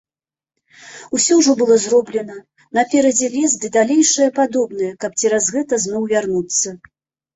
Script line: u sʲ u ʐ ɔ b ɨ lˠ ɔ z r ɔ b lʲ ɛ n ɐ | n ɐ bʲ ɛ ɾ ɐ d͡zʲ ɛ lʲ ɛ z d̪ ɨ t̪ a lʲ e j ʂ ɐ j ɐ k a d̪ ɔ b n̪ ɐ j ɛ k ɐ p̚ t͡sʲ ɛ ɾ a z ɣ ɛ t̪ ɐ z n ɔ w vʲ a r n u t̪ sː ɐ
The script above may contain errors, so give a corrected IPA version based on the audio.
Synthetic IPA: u sʲ ɔ ʐ ɔ b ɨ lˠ ɔ z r ɔ b lʲ ɛ n ɐ | n ɐ pʲ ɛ ɾ ɐ d͡zʲ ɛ lʲ ɛ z d̪ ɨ d̪ a lʲ e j ʂ ɐ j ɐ p a d̪ ɔ b n̪ ɐ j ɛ k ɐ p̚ t͡sʲ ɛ ɾ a z ɣ ɛ t̪ ɐ z n ɔ w vʲ a r n u t̪ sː ɐ